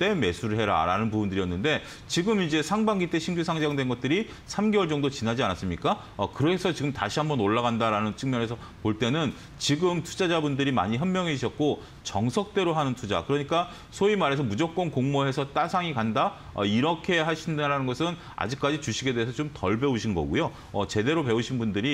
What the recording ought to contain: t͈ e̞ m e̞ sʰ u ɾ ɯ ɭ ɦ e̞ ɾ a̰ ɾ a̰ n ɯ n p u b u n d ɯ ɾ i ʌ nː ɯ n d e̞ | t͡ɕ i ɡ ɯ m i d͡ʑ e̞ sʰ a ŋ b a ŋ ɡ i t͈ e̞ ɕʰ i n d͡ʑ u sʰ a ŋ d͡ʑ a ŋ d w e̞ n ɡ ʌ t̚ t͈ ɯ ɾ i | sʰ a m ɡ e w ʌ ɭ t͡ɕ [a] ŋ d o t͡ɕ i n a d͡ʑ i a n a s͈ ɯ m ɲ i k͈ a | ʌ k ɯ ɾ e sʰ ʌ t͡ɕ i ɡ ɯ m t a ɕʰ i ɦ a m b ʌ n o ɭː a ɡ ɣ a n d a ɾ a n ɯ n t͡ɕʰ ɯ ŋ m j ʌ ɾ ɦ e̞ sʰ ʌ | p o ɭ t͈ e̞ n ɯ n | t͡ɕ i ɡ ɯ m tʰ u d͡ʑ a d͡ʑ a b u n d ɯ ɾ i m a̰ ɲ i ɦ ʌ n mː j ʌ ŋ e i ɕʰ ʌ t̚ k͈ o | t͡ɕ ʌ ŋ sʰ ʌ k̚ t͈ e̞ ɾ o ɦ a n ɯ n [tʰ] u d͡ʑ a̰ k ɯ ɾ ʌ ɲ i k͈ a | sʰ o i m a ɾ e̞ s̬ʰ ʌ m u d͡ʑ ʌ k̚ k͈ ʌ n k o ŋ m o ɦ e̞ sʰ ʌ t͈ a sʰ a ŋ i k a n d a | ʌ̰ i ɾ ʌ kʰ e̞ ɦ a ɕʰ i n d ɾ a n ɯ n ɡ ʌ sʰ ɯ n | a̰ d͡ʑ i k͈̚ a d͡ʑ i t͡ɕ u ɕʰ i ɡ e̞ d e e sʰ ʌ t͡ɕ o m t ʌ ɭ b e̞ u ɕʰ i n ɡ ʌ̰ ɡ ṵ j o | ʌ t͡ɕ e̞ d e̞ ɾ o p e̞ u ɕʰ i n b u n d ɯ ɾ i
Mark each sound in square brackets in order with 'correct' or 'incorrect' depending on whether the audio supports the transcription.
incorrect, correct

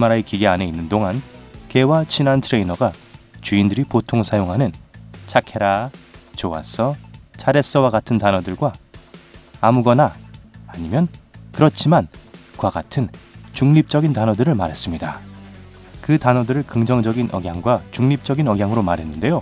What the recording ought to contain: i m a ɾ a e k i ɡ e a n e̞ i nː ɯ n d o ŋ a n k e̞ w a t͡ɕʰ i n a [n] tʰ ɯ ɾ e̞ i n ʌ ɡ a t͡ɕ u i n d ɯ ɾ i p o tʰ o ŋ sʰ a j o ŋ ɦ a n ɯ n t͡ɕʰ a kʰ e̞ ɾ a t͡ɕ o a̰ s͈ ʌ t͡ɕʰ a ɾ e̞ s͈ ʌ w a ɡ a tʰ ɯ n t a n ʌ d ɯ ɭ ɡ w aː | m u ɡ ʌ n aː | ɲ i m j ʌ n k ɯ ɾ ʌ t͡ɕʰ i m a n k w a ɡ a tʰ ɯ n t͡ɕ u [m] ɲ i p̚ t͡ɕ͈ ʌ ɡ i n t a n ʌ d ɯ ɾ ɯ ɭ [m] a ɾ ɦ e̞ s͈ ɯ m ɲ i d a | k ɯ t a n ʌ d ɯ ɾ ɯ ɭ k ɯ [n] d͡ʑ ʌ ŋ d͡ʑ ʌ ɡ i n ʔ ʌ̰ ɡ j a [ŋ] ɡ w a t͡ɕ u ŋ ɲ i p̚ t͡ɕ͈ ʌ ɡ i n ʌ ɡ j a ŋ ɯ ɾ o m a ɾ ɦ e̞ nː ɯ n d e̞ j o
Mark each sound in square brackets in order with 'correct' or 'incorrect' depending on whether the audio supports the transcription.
correct, incorrect, correct, incorrect, correct

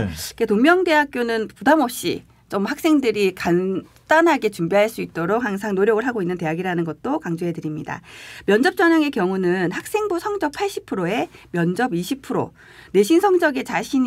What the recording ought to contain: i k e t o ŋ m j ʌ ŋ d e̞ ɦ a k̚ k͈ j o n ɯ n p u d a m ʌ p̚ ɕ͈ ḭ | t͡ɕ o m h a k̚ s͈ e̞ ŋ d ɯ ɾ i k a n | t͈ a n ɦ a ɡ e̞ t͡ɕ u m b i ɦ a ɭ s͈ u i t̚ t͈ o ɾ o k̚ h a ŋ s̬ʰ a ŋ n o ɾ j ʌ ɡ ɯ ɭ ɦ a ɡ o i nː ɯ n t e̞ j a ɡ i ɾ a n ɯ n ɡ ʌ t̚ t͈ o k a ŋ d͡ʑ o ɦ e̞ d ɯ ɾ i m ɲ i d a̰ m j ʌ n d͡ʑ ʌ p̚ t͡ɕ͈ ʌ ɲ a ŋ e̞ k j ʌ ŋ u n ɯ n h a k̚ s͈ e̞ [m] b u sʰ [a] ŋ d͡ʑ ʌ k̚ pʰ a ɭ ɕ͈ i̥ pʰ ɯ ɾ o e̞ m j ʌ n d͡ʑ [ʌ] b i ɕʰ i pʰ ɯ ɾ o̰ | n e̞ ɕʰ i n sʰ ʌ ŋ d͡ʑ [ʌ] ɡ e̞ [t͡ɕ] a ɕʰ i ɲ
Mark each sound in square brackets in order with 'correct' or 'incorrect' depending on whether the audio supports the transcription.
incorrect, incorrect, correct, correct, correct

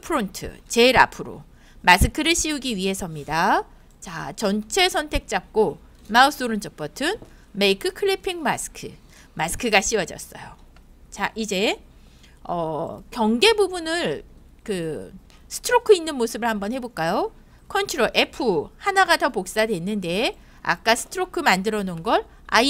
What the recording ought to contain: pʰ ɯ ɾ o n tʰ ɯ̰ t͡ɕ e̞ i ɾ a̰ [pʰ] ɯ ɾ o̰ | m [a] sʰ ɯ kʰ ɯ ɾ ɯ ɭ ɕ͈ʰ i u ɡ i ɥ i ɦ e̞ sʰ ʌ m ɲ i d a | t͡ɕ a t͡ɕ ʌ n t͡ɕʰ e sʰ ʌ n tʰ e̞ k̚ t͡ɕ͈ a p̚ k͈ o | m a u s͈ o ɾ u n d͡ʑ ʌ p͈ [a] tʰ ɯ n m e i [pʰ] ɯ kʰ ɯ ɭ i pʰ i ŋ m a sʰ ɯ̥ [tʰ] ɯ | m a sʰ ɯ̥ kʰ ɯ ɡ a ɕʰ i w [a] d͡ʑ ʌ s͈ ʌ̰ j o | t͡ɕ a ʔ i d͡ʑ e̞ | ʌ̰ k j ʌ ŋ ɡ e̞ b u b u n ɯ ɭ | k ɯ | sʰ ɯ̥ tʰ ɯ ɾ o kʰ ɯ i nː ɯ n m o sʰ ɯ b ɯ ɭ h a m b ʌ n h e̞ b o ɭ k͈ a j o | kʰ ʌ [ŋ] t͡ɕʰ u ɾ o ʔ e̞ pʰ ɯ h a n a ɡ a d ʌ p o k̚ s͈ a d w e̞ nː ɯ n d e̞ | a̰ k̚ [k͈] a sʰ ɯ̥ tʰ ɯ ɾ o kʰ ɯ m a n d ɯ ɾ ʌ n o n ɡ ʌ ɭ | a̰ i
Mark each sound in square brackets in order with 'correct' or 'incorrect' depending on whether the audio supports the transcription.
correct, correct, incorrect, incorrect, incorrect, incorrect, incorrect, correct

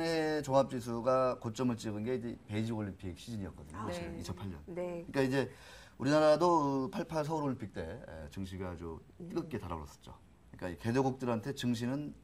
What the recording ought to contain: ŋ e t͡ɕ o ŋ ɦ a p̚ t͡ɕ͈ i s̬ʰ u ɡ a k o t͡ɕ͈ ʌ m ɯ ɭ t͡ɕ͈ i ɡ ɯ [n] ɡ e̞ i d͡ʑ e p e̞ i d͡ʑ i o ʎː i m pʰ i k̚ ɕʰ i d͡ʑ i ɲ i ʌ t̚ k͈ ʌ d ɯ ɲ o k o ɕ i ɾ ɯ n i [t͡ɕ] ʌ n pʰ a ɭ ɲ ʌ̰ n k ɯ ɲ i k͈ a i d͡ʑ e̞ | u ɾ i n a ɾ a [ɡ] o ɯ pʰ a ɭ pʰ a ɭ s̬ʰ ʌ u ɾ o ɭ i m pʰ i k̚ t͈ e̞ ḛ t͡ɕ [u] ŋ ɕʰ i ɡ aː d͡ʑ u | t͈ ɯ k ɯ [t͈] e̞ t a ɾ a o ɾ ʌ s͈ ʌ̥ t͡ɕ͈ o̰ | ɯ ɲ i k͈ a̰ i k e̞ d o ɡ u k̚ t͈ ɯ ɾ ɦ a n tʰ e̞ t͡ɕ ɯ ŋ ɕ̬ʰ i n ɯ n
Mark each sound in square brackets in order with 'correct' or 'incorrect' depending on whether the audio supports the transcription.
correct, incorrect, incorrect, incorrect, incorrect

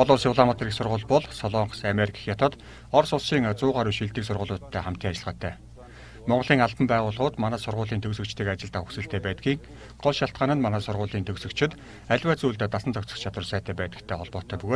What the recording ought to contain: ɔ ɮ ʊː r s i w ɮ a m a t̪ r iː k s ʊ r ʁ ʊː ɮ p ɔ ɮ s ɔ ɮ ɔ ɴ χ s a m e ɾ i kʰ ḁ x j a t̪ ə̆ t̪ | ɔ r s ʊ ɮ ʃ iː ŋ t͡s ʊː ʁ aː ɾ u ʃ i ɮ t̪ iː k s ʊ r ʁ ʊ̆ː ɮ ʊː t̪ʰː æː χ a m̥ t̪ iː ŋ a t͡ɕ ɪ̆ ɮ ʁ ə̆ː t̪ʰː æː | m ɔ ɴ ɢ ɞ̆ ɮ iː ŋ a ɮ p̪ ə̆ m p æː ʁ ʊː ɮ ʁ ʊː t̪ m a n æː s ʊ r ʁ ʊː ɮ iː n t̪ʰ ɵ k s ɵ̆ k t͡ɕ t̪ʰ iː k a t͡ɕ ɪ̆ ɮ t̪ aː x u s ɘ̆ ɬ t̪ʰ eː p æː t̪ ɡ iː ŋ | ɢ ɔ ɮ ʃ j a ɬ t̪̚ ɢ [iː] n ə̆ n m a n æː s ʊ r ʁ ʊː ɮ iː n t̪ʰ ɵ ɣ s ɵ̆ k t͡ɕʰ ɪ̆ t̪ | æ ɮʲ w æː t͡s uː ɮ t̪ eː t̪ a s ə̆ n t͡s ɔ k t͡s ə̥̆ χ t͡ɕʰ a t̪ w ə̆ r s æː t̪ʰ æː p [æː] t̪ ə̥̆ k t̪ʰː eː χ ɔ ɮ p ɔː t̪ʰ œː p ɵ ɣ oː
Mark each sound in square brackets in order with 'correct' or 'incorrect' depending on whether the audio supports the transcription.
incorrect, correct

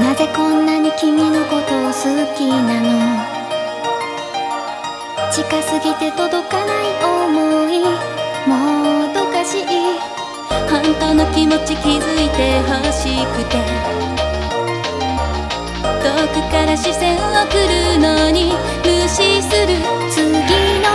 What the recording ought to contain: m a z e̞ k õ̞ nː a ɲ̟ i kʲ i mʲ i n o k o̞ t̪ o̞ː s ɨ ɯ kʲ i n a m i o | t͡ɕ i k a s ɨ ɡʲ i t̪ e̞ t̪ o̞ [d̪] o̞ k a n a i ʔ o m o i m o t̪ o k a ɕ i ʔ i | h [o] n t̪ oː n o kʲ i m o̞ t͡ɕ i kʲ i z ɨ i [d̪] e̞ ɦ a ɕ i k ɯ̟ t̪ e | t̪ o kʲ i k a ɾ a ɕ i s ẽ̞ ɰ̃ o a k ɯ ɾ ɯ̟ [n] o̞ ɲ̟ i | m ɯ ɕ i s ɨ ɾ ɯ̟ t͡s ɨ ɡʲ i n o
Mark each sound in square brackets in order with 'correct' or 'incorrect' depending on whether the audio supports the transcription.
correct, incorrect, incorrect, correct

